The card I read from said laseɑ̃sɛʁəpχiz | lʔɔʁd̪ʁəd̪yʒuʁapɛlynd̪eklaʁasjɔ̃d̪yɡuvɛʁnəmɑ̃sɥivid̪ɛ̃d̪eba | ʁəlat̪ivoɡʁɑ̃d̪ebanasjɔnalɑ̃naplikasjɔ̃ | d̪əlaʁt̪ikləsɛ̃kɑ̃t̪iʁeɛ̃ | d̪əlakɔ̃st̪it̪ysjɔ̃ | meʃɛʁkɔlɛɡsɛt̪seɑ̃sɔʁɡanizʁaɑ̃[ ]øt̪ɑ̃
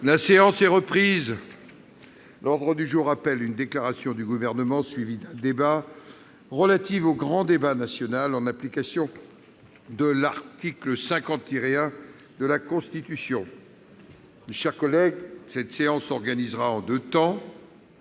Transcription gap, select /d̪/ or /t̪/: d̪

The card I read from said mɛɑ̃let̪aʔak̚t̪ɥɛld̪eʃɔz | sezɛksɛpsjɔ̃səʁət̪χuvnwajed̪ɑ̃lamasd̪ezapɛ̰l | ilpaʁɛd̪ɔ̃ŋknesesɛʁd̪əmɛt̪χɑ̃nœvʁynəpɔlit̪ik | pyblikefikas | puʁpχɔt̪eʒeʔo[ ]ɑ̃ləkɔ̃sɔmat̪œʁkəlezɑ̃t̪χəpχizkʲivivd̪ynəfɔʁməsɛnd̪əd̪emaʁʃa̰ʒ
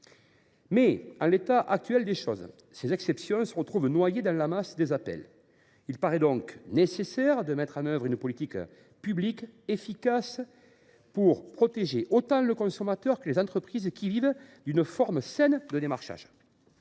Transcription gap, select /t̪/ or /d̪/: t̪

